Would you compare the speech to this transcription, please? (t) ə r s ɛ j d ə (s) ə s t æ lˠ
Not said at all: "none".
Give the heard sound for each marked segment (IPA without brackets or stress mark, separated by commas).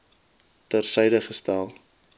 t, χ